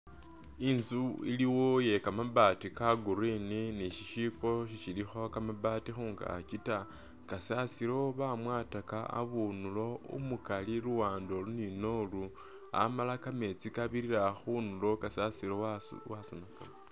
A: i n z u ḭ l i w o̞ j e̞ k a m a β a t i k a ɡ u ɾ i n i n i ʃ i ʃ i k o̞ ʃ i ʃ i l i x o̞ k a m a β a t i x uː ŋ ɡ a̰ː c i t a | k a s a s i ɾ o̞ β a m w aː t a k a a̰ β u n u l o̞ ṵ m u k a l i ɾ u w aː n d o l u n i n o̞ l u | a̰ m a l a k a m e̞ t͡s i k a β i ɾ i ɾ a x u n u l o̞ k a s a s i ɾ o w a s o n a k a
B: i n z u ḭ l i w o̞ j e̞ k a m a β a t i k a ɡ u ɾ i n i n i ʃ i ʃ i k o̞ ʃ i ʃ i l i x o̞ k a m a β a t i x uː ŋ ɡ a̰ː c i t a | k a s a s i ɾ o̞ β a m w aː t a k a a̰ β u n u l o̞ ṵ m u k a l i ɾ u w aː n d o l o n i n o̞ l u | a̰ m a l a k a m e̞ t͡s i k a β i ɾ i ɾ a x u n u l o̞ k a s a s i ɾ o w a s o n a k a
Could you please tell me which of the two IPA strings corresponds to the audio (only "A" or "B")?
A